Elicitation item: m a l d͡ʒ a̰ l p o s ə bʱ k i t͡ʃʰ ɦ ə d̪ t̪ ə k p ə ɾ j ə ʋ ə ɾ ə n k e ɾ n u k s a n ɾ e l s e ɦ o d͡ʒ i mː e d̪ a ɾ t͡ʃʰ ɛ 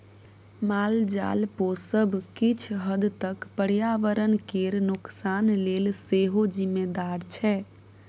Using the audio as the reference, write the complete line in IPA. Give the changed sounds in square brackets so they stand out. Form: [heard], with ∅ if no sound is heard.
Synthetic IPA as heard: m a l d͡ʒ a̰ l p o s ə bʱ k i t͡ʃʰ ɦ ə d̪ t̪ ə k p ə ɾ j [a] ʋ ə ɾ ə n k e ɾ n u k s a n [l] e l s e ɦ o d͡ʒ i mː e d̪ a ɾ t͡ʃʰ ɛ